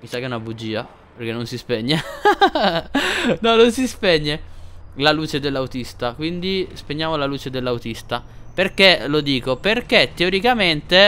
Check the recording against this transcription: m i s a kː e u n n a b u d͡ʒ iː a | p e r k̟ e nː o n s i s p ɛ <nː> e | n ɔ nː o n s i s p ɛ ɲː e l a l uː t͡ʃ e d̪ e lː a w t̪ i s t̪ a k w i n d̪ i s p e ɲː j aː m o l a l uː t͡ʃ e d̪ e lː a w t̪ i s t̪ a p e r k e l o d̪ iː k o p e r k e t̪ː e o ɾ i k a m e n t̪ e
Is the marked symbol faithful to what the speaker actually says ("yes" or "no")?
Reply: no